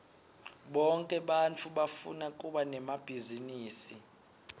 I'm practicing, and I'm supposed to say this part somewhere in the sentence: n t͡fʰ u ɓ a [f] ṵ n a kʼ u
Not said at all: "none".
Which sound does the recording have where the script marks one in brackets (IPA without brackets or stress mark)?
f